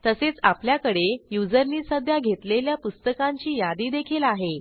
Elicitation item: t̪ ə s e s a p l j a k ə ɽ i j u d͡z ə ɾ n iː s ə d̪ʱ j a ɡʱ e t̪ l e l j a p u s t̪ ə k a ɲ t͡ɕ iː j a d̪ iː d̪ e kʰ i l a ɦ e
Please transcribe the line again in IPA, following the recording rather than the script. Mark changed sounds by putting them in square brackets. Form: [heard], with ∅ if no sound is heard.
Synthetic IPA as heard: t̪ ə s e [t͡s] a p l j a k ə ɽ [e] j u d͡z ə ɾ n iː s ə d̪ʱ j a ɡʱ e t̪ l e l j a p u s t̪ ə k a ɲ t͡ɕ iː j a d̪ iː d̪ e kʰ i l a ɦ e